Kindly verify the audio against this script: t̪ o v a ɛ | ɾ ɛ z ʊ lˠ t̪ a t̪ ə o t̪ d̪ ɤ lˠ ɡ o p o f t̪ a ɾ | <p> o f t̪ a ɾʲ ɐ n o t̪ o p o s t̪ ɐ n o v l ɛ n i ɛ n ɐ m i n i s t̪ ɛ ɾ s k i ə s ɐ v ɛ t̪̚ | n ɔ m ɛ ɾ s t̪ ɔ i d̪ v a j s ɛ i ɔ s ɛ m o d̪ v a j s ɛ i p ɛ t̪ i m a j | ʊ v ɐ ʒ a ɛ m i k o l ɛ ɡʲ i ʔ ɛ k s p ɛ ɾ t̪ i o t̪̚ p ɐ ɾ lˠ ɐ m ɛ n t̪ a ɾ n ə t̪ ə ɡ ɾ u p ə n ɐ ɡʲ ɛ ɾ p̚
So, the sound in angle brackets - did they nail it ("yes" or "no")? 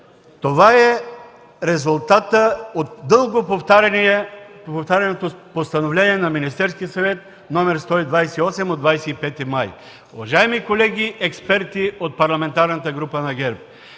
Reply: yes